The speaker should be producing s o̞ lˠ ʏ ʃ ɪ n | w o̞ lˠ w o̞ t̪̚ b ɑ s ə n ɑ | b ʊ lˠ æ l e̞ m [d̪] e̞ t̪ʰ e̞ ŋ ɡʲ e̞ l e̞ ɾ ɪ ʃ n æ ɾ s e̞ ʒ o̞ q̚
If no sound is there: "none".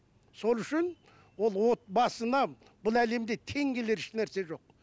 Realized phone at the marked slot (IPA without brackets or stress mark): d̪